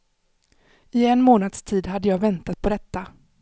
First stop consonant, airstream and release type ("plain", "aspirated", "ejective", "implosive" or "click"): plain